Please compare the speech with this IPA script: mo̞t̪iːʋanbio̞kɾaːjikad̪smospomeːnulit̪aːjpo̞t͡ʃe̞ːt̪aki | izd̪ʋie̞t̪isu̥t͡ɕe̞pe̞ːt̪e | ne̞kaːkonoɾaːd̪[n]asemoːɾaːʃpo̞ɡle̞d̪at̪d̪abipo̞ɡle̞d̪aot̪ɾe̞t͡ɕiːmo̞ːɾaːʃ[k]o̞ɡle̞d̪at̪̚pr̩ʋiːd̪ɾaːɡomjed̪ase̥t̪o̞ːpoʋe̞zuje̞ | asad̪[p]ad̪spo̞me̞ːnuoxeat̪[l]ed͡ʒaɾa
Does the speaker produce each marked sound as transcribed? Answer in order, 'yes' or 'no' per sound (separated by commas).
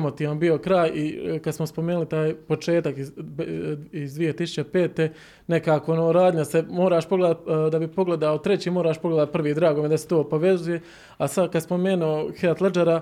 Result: no, no, no, yes